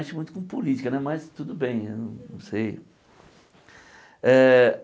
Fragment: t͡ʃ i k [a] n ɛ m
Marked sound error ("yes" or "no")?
yes